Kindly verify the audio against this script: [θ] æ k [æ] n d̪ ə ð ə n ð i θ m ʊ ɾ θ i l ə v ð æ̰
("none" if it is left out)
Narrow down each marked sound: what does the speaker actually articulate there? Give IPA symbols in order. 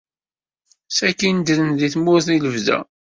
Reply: s, i

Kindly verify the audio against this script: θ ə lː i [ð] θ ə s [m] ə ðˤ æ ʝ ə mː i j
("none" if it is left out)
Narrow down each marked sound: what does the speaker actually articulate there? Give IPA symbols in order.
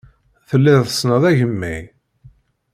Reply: ð, n

